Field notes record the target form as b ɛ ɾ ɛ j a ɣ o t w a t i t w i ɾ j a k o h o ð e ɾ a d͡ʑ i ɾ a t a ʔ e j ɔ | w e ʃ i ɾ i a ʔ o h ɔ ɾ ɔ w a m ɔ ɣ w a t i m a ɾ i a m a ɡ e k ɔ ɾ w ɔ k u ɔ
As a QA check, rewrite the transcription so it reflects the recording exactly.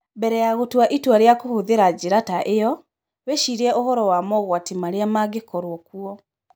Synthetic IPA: b ɛ ɾ ɛ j a ɣ o t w a ʔ i t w a ɾ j a k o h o ð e ɾ a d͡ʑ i ɾ a t a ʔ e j ɔ | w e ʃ i ɾ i ɛ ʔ o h ɔ ɾ ɔ w a m ɔ ɣ w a t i m a ɾ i a m a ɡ e k ɔ ɾ w ɔ k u ɔ